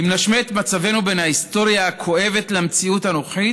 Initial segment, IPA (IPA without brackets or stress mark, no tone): i